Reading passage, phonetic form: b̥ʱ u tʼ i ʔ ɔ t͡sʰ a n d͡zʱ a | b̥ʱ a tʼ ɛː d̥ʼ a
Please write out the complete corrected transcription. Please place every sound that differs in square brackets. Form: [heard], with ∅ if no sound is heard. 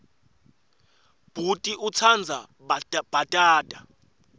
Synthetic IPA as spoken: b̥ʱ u tʼ i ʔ [u] t͡sʰ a n d͡zʱ a | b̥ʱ a tʼ [aː] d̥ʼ a